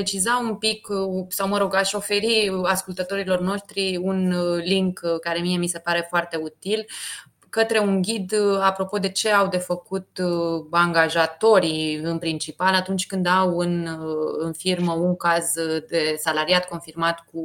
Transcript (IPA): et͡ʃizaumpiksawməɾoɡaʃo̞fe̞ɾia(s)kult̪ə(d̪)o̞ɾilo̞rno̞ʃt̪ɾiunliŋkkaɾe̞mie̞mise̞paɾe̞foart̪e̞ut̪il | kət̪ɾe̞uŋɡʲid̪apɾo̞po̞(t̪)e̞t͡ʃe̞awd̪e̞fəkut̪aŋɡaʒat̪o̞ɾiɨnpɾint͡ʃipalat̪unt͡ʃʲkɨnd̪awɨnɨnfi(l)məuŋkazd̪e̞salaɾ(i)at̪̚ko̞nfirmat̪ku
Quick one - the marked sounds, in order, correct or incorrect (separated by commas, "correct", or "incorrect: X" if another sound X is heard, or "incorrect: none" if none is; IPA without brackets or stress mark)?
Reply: correct, incorrect: t̪, incorrect: d̪, incorrect: r, correct